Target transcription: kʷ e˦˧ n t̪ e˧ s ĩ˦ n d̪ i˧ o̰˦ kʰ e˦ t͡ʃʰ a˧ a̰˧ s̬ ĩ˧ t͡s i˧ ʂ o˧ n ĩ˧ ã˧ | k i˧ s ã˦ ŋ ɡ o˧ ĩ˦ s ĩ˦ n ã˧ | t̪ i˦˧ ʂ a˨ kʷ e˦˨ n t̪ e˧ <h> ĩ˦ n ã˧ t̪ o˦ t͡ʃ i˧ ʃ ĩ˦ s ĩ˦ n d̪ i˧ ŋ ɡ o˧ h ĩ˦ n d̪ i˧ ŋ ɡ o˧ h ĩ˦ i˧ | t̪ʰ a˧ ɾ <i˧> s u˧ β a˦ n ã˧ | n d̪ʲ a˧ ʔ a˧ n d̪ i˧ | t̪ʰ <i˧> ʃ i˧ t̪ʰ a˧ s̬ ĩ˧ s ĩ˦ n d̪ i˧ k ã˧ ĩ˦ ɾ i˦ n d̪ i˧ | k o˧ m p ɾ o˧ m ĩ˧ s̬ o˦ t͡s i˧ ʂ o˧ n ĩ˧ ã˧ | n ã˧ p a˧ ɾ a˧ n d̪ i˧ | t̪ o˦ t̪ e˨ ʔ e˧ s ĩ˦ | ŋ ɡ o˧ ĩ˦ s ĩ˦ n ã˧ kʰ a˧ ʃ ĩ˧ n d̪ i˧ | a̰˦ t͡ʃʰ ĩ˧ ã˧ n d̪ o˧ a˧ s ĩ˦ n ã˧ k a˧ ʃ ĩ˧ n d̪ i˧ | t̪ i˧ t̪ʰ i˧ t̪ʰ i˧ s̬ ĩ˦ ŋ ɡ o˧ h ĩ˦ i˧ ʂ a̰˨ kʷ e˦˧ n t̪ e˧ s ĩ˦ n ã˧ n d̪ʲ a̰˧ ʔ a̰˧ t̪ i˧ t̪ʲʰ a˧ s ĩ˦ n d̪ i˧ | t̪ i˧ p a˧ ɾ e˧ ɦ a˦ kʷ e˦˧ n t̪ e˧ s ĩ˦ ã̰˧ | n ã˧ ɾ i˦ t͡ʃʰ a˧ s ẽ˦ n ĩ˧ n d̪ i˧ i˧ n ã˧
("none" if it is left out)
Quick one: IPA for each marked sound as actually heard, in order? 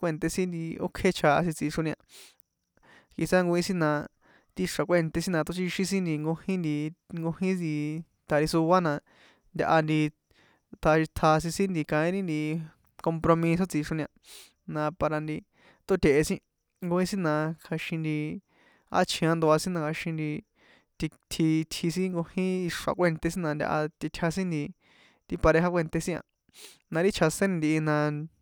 s, i˧, a˧

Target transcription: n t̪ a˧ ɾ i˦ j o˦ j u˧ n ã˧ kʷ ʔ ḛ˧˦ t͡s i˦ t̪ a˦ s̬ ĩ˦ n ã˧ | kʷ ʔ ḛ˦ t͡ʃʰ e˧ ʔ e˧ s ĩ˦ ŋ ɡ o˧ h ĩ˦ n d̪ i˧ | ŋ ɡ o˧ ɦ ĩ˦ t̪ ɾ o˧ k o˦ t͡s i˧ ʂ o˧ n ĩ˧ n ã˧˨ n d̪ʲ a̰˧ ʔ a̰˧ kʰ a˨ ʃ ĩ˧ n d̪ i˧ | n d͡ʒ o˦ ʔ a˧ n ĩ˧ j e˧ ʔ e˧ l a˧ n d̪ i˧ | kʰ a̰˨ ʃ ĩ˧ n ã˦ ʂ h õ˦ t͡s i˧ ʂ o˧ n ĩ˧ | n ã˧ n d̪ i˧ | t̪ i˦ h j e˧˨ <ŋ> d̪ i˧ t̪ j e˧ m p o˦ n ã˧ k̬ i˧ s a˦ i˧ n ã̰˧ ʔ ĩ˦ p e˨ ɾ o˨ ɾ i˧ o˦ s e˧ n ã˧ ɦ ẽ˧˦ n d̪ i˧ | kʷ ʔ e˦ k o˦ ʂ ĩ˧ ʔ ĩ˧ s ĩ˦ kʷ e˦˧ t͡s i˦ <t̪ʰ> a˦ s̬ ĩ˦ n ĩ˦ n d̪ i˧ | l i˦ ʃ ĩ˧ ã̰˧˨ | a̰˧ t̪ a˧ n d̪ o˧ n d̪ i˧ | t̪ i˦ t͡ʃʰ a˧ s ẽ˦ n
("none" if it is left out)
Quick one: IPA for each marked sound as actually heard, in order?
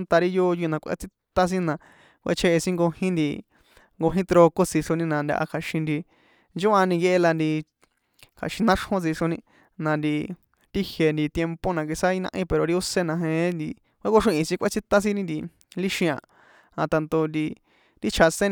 n, t̪

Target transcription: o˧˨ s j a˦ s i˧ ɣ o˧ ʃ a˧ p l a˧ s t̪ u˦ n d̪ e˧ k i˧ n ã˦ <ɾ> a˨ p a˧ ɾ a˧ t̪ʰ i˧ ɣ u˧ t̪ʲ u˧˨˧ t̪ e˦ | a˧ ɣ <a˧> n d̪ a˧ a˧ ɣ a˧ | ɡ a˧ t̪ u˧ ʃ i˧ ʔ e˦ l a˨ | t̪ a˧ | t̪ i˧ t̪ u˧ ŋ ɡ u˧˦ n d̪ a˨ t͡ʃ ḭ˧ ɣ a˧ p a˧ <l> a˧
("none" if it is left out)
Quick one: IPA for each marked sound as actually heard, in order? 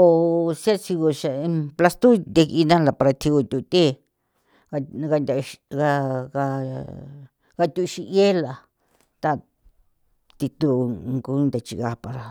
l, a˧, ɾ

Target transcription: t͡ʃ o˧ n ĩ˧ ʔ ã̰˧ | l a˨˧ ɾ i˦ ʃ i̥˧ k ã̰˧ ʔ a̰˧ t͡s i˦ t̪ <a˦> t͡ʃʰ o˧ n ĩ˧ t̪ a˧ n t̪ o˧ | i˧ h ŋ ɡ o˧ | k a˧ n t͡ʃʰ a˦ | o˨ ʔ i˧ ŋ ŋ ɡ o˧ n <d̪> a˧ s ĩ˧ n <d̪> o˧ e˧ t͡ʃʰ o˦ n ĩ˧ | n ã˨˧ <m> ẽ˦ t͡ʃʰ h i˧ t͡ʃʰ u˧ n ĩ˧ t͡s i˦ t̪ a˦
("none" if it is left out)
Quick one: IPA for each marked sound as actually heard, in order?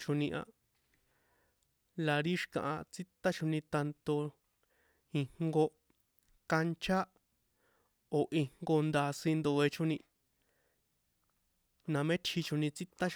a˦, d̪, d̪, m

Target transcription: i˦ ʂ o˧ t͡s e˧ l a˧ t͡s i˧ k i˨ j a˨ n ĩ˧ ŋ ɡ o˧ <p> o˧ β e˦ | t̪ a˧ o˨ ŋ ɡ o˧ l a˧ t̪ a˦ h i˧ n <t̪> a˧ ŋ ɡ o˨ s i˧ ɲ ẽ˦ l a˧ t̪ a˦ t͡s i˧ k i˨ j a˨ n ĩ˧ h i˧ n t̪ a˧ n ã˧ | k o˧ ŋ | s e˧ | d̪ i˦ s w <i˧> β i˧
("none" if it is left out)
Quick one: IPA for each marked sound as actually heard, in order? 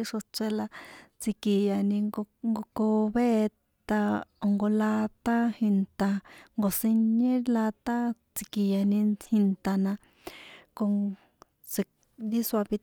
k, t̪, a˧

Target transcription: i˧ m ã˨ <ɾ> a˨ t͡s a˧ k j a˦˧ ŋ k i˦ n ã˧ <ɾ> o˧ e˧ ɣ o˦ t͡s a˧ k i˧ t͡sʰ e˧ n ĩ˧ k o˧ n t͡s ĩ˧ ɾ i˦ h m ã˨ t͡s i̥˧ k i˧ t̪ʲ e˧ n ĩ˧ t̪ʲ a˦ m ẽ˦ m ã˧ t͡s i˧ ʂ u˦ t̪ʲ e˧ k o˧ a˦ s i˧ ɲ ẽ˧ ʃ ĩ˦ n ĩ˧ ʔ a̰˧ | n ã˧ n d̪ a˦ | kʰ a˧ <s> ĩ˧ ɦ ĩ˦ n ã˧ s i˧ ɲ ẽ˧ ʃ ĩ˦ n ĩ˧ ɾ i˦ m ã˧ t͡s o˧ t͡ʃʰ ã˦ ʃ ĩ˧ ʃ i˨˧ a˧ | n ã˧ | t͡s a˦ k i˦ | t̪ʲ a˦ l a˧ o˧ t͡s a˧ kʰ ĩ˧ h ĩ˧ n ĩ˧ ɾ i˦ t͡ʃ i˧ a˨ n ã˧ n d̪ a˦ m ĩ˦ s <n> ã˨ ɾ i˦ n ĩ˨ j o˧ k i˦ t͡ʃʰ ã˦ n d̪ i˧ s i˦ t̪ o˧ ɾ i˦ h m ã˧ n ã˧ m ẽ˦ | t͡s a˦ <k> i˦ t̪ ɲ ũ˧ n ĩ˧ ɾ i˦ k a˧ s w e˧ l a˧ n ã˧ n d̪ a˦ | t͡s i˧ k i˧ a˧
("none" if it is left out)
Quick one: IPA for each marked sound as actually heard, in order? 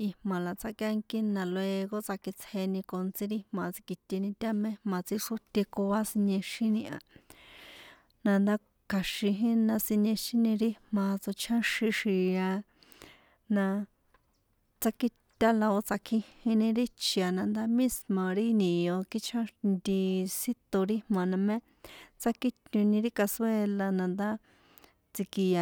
l, l, ʃ, m, k

